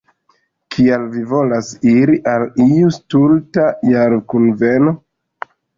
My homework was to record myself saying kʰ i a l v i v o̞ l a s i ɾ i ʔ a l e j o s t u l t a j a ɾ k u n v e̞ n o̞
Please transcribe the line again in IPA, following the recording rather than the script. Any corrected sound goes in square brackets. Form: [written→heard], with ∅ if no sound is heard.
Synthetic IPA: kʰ i a l v i v o̞ l a s i ɾ i ʔ a l [e→i] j [o→u] s t u l t a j a ɾ k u n v e̞ n o̞